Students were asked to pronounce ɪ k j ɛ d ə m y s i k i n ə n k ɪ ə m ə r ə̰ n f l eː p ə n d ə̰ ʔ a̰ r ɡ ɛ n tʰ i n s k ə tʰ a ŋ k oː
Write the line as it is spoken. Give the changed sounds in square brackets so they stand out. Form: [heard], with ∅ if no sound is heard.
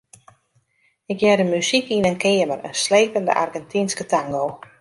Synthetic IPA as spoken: ɪ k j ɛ d ə m y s i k i n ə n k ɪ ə m ə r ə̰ n [s] l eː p ə n d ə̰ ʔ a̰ r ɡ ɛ n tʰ i n s k ə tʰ a ŋ [ɡ] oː